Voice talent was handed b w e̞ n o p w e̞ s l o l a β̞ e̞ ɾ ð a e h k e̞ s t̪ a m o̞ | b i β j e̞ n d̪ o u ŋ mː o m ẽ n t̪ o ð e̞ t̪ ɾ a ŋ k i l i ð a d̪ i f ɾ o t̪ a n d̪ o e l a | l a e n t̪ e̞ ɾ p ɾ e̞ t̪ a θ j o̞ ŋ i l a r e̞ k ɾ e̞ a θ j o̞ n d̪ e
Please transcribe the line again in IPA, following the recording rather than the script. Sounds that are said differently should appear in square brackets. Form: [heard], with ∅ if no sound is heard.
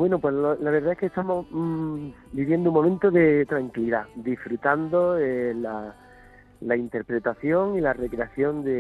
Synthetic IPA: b w e̞ n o p w e̞ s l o l a β̞ e̞ ɾ ð a e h k e̞ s t̪ a m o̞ | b i β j e̞ n d̪ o u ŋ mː o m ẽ n t̪ o ð e̞ t̪ ɾ a ŋ k i l i ð a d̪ i f ɾ [u] t̪ a n d̪ o e l a | l a [i] n t̪ e̞ ɾ p ɾ e̞ t̪ a θ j o̞ ŋ i l a r e̞ k ɾ e̞ a θ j o̞ n d̪ e